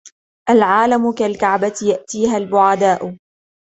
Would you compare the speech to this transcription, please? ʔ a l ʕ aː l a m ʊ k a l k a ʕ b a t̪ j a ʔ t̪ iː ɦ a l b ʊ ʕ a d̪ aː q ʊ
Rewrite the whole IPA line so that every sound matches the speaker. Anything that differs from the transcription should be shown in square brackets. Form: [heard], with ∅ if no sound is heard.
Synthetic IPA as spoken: ʔ a l ʕ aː l a m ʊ k a l k a ʕ b a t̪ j a ʔ t̪ iː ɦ a l b ʊ ʕ a d̪ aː [ʔ] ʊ